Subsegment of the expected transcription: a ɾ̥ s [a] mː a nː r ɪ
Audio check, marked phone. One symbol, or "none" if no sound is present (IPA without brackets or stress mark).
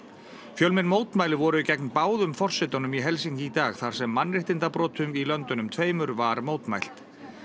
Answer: ɛ